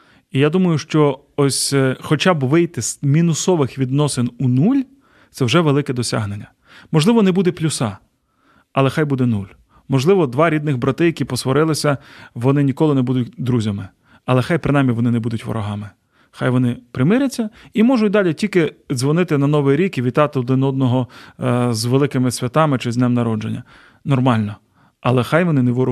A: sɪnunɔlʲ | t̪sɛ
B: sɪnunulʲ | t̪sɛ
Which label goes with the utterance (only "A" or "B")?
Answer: B